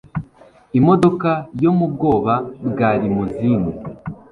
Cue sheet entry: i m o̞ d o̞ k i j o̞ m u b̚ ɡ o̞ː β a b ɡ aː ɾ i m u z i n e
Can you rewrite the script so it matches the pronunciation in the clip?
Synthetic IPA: i m o̞ d o̞ k a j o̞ m u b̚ ɡ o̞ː β a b ɡ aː ɾ i m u z i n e